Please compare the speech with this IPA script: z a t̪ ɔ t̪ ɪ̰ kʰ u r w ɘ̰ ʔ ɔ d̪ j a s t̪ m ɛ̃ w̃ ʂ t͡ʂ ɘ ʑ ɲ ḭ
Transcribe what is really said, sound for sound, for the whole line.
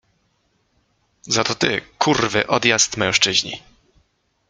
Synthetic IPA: z a t̪ ɔ t̪ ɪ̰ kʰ u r v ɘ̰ ʔ ɔ d̪ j a s t̪ m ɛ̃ w̃ ʂ t͡ʂ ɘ ʑ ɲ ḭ